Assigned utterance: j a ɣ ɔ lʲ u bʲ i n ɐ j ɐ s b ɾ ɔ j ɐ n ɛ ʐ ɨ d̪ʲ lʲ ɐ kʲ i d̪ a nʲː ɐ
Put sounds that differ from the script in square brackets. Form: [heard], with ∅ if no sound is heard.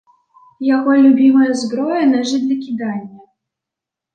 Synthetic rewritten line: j a ɣ ɔ lʲ u bʲ i [m] ɐ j ɐ [z] b ɾ ɔ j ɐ n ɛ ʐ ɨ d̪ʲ lʲ ɐ kʲ i d̪ a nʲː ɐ